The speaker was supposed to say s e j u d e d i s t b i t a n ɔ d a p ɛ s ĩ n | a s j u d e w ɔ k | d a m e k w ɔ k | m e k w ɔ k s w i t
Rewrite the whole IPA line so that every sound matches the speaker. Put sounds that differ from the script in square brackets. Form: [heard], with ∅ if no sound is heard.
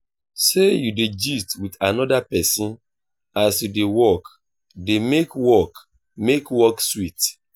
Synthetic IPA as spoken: s e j u d e [d͡ʒ] i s t [w] i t a n ɔ d a p ɛ s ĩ n | a s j u d e w ɔ k | d [e] m e k w ɔ k | m e k w ɔ k s w i t